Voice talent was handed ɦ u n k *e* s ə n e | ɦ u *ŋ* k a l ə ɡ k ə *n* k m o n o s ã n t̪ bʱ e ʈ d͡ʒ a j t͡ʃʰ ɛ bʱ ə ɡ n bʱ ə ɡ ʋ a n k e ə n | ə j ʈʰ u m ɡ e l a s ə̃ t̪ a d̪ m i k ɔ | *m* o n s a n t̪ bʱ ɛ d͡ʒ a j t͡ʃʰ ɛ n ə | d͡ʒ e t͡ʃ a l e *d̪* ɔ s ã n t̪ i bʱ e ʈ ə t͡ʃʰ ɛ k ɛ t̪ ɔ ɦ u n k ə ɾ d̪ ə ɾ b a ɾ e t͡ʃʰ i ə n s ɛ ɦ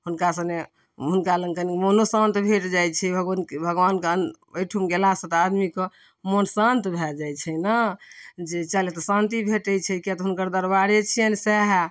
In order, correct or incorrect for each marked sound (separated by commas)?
incorrect, incorrect, correct, correct, incorrect